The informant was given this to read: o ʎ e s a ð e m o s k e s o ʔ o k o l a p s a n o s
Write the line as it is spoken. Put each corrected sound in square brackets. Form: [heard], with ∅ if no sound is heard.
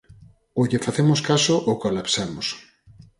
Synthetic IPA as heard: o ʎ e [f] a [θ] e m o s k [a] s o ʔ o k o l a p s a [m] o s